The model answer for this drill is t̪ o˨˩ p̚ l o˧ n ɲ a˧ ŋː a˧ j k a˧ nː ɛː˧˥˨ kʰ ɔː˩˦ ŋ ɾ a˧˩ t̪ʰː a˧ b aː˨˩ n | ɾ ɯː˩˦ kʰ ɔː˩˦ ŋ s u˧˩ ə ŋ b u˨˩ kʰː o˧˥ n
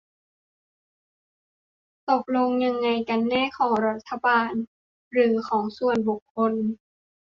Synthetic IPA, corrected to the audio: t̪ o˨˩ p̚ l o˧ ŋ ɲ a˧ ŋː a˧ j k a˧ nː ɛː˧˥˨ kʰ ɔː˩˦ ŋ ɾ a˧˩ t̪ʰː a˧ b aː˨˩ n | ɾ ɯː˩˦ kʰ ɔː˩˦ ŋ s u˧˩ ə n b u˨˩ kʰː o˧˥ n